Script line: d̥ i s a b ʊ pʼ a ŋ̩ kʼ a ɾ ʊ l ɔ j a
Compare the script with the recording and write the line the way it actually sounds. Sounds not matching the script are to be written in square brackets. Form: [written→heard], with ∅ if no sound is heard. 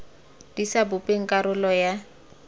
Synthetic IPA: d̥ i s a b ʊ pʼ [a→e] ŋ̩ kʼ a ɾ ʊ l ɔ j a